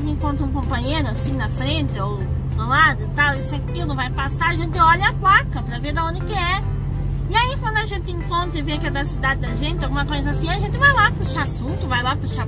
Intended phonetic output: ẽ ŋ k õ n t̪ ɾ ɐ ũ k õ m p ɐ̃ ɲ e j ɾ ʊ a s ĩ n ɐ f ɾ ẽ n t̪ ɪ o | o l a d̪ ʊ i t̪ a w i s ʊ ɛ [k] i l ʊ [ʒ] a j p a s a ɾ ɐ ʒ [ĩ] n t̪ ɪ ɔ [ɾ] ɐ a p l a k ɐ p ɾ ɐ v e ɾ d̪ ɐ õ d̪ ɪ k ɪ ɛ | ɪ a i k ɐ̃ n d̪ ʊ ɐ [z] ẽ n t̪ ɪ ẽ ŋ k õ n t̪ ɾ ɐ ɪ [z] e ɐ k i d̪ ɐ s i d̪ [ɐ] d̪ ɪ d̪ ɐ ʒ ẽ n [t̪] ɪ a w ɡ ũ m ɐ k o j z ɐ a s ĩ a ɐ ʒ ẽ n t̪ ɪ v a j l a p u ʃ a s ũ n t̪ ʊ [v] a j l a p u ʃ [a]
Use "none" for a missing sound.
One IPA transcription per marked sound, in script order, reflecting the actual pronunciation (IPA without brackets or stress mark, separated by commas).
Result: k, v, ẽ, ʎ, ʒ, v, a, t̪, v, a